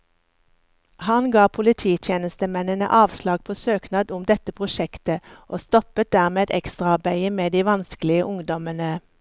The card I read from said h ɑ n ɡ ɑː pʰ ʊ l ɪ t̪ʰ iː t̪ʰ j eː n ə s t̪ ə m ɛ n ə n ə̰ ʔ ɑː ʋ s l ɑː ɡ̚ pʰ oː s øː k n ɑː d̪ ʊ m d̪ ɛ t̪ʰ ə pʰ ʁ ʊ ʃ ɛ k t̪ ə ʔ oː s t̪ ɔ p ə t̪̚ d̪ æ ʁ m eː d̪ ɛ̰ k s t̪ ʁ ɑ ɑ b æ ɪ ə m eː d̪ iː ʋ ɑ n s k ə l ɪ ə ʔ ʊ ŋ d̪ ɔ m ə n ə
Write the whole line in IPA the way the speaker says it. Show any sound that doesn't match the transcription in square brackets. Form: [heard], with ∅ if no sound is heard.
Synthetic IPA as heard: h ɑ n ɡ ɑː pʰ ʊ l ɪ t̪ʰ iː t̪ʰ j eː n ə s t̪ ə m ɛ n ə n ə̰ ʔ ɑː ʋ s l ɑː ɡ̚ pʰ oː s øː k n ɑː d̪ ʊ m d̪ ɛ [t̪] ə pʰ ʁ ʊ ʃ ɛ k t̪ ə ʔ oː s t̪ ɔ p ə t̪̚ d̪ æ ʁ m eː d̪ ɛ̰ k s t̪ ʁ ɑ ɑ b æ ɪ ə m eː d̪ iː ʋ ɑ n s k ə l ɪ ə ʔ ʊ ŋ d̪ ɔ m ə n ə